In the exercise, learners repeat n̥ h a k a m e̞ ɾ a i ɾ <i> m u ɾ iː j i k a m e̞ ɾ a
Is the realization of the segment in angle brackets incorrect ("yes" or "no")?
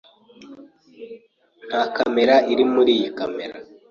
no